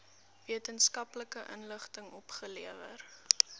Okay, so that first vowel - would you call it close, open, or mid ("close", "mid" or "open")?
close